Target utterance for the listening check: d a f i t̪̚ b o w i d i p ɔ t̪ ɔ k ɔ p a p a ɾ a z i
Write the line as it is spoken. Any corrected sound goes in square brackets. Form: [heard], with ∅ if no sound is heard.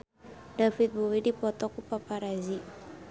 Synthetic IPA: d a f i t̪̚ b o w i d i p ɔ t̪ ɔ k [u] p a p a ɾ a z i